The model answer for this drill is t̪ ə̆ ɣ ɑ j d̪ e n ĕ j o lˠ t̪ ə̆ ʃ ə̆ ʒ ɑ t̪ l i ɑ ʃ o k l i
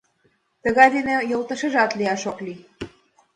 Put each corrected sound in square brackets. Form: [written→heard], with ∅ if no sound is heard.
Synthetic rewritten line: t̪ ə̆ ɣ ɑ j d̪ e n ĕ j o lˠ t̪ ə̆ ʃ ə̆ ʒ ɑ t̪ l i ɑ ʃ o k l i